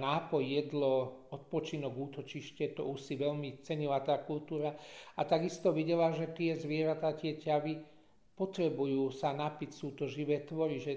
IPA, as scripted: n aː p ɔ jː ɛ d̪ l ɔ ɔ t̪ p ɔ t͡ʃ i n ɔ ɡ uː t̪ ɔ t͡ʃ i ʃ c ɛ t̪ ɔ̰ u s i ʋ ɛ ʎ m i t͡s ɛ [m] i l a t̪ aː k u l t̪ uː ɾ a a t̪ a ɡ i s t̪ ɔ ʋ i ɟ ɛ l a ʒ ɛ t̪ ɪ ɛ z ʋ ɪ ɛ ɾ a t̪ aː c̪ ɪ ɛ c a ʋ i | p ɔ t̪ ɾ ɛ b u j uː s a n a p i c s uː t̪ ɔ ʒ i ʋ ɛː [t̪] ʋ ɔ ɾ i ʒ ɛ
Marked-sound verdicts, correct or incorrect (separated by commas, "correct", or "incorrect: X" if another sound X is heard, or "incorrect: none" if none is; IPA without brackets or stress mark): incorrect: ɲ, correct